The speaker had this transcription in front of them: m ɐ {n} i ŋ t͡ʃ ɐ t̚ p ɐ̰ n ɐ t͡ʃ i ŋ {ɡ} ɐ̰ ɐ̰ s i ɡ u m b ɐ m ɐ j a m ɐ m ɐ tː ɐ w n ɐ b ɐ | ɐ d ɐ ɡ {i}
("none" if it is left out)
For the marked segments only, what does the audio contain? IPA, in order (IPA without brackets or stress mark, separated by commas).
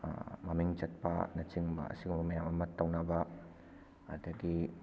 m, b, i